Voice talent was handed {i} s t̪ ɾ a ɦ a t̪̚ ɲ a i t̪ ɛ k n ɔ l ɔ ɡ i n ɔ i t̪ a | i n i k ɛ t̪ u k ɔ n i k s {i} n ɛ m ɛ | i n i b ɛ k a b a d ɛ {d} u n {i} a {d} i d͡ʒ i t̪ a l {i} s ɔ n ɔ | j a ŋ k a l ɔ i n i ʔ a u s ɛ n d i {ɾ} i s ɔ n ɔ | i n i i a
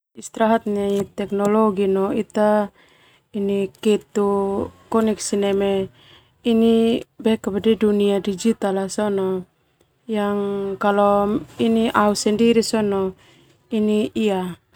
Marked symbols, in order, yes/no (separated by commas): yes, yes, yes, yes, yes, no, yes